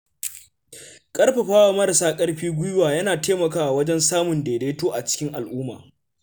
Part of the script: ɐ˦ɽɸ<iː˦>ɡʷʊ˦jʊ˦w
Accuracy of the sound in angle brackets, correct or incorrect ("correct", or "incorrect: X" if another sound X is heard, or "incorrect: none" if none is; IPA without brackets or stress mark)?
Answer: correct